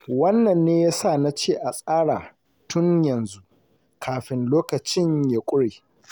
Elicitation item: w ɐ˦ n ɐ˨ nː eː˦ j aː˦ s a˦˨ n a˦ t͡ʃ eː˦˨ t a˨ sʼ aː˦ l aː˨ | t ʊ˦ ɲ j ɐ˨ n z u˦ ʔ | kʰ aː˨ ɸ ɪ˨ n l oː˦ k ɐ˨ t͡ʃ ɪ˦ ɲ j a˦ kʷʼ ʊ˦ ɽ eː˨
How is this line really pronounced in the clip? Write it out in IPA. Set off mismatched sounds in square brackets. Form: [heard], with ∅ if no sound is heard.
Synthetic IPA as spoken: w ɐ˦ [nː] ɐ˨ nː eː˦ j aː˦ s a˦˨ n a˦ t͡ʃ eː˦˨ [ʔ] a˨ sʼ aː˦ [ɽ] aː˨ | t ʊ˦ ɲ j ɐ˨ n z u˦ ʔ | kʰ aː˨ ɸ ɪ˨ n l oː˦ k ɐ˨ t͡ʃ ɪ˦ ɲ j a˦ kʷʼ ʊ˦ ɽ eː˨

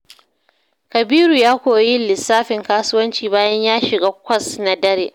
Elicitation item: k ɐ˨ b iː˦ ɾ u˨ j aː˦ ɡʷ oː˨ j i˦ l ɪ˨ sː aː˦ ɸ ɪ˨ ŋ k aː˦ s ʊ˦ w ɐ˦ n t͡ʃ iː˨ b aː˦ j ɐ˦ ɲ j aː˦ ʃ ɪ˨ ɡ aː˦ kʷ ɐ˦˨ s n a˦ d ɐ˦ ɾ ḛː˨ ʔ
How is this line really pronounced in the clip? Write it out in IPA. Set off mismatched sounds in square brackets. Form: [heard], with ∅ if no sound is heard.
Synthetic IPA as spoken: k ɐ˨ b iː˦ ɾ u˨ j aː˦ [kʷ] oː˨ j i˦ l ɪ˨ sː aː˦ ɸ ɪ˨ ŋ k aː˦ s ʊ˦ w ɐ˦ n t͡ʃ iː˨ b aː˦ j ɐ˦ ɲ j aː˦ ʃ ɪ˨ ɡ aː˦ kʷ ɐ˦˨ s n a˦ d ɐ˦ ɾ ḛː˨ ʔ

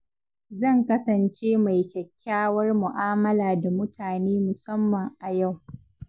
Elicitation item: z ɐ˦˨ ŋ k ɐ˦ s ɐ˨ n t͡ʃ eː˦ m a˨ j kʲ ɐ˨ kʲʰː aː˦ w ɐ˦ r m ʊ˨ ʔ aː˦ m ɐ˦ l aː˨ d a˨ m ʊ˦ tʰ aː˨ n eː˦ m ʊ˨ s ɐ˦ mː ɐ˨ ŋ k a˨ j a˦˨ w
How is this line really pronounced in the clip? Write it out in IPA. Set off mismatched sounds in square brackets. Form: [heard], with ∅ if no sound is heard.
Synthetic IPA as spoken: z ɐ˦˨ ŋ k ɐ˦ s ɐ˨ n t͡ʃ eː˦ m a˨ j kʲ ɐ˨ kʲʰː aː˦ w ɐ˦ r m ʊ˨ ʔ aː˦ m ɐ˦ l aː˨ d a˨ m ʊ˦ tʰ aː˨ n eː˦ m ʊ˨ s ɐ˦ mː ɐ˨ ŋ [ʔ] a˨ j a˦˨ w

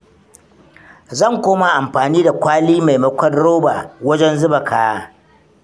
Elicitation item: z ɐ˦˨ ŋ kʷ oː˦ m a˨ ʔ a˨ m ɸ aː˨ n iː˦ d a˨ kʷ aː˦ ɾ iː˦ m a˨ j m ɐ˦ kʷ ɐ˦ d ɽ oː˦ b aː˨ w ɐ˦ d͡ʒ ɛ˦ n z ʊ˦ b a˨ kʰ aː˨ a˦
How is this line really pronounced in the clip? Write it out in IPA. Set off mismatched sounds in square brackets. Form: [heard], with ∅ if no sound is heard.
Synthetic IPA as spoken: z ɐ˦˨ ŋ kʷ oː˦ m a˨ ʔ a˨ m ɸ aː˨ n iː˦ d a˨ kʷ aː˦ [l] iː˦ m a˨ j m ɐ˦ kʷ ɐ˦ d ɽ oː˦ b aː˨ w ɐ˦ d͡ʒ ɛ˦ n z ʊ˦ b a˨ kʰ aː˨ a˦

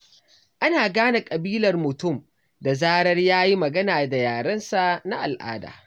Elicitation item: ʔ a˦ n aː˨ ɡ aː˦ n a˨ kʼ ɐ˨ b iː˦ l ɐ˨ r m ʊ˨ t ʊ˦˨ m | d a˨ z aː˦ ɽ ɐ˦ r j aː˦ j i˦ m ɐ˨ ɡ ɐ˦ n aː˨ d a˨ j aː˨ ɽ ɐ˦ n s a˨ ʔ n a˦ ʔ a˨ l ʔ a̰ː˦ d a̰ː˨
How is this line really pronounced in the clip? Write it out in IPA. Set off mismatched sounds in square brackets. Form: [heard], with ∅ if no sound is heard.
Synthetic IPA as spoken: ʔ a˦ n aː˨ ɡ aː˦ n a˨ kʼ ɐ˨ b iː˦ l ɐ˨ r m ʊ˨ t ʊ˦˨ m | d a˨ z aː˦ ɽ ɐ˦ r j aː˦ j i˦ m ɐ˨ ɡ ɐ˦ n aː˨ d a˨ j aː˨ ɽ ɐ˦ n s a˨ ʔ n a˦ ʔ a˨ l ʔ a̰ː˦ d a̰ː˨

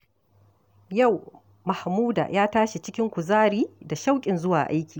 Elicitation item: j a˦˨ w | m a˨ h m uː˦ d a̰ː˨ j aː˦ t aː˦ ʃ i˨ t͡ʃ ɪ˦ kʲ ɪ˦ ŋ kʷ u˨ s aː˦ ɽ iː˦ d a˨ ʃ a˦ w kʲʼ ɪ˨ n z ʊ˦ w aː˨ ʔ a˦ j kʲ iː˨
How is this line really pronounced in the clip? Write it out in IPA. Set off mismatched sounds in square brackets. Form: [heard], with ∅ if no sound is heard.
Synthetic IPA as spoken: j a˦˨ w | m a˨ h m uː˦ d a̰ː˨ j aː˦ t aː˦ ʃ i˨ t͡ʃ ɪ˦ kʲ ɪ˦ ŋ kʷ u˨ [z] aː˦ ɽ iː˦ d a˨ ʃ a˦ w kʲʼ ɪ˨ n z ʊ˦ w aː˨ ʔ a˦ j kʲ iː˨

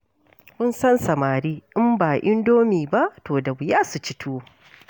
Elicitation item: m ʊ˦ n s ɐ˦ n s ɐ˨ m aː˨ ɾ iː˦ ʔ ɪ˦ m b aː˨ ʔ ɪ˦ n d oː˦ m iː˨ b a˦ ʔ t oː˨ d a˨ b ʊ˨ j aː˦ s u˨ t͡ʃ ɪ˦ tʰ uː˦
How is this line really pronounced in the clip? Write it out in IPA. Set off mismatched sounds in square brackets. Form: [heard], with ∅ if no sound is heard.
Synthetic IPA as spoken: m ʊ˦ n s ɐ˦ n s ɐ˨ m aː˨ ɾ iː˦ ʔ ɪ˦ m b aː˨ ʔ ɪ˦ n d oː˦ m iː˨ b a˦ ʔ t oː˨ d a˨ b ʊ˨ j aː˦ s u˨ t͡ʃ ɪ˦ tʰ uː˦

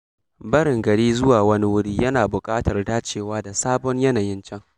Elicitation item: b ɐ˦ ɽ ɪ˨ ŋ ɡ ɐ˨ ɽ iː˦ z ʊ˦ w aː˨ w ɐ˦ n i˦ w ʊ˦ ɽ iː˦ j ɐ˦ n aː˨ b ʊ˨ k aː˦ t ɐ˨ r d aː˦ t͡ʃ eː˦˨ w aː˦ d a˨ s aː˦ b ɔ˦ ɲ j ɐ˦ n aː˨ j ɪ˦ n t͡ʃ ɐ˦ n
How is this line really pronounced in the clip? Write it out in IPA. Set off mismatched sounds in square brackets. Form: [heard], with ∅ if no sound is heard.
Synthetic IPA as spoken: b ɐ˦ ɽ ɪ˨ ŋ ɡ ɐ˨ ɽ iː˦ z ʊ˦ w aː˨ w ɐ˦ n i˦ w ʊ˦ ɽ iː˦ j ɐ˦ n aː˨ b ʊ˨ [kʼ] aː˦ t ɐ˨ r d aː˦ t͡ʃ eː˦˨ w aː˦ d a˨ s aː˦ b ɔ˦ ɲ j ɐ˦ n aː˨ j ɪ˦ n t͡ʃ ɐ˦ [ŋ]

